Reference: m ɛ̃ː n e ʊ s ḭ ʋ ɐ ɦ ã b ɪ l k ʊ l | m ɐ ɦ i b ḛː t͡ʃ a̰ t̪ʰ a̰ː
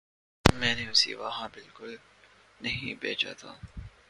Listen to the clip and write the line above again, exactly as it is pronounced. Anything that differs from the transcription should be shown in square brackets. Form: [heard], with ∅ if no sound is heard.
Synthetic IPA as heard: m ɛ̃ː n e ʊ s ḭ ʋ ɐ ɦ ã b ɪ l k ʊ l | [n] ɐ ɦ [ĩ] b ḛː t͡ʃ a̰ t̪ʰ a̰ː